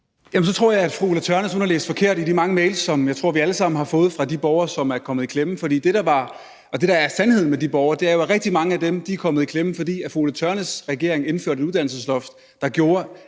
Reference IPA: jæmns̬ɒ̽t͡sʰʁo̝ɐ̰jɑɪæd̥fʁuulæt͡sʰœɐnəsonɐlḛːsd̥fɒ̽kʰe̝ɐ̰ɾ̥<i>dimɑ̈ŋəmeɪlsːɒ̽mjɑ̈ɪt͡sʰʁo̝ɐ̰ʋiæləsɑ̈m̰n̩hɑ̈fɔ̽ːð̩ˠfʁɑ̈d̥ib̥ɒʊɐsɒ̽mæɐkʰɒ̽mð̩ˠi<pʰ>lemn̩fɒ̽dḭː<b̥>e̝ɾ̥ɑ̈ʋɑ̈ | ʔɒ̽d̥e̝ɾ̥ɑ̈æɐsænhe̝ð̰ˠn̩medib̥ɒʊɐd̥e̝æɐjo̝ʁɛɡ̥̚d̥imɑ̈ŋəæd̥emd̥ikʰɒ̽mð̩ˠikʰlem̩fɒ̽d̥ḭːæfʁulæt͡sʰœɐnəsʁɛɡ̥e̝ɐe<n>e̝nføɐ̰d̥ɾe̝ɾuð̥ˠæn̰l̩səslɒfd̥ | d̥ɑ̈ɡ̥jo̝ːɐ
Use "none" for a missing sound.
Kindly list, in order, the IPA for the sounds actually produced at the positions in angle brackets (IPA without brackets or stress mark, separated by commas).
i, kʰ, d̥, ŋ